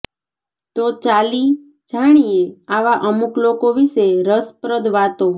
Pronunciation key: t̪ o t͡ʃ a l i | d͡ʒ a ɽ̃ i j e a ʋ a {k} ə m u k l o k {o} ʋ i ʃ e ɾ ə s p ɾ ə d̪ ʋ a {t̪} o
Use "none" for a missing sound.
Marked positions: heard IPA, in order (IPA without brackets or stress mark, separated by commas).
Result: ʔ, o, t̪